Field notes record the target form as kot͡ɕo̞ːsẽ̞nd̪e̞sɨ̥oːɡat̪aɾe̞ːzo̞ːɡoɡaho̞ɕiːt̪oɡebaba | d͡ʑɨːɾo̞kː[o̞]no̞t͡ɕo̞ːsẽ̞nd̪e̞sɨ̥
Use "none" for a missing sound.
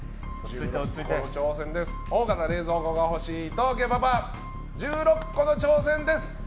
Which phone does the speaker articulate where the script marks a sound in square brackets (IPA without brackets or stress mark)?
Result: o̞